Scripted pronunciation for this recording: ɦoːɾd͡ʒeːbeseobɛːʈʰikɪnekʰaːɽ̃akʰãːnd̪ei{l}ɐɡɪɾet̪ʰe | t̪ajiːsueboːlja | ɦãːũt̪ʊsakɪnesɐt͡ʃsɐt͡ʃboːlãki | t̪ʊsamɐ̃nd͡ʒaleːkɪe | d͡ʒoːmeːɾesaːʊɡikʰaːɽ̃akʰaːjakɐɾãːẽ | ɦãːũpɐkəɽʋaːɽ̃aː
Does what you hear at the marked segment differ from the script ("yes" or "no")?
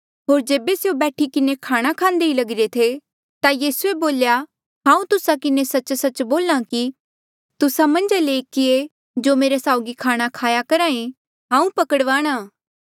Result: no